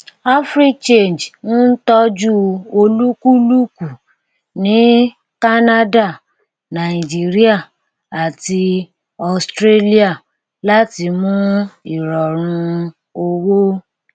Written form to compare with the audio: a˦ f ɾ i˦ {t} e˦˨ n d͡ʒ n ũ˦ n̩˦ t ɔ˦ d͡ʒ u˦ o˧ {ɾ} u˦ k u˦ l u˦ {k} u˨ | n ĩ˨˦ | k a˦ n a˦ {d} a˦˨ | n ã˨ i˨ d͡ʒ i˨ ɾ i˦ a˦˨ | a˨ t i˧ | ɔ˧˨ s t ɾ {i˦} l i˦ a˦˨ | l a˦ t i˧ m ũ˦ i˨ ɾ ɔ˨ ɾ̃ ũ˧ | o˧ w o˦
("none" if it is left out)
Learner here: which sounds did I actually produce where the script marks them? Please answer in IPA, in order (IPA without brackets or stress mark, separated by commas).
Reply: t͡ʃ, l, k, d, e˦